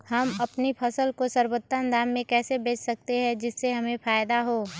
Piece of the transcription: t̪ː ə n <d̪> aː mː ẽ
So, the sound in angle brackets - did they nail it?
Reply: yes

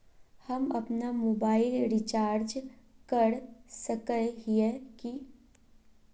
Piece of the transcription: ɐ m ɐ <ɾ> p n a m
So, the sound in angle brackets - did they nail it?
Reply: no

